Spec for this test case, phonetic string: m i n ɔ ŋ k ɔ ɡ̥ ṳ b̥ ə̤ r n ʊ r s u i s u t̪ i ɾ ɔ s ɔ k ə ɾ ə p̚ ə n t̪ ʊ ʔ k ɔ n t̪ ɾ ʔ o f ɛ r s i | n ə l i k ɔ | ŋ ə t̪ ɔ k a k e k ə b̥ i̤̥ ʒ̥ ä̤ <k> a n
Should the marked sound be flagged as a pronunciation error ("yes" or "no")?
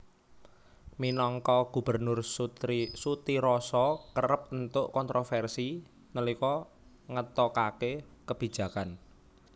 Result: no